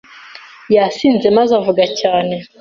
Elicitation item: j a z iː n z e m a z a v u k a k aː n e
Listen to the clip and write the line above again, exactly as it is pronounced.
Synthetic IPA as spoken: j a s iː n z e m a z a v u ɡ a c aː n e